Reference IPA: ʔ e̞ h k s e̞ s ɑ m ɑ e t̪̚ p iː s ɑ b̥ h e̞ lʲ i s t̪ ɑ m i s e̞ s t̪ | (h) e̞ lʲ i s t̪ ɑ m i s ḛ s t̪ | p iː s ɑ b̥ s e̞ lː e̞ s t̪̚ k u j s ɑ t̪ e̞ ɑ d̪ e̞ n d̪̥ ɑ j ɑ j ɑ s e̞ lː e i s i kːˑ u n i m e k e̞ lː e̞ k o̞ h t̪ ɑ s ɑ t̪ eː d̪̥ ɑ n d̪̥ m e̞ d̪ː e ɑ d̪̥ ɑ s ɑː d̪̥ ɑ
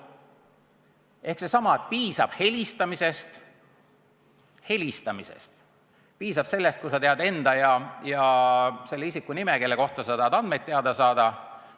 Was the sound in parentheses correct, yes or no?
yes